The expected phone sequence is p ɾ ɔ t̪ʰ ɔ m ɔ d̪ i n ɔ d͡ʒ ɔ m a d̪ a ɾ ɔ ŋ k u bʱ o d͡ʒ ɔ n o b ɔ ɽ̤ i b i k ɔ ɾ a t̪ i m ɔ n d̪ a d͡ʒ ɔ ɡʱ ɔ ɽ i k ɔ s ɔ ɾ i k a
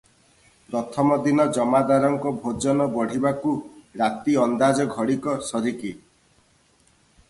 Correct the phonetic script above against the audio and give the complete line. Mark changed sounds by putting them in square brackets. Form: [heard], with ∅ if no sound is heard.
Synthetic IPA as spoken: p ɾ ɔ t̪ʰ ɔ m ɔ d̪ i n ɔ d͡ʒ ɔ m a d̪ a ɾ ɔ ŋ k [ɔ] bʱ o d͡ʒ ɔ n [ɔ] b ɔ ɽ̤ i b [a] k [u] ɾ a t̪ i [∅] ɔ n d̪ a d͡ʒ ɔ ɡʱ ɔ ɽ i k ɔ s ɔ ɾ i k [i]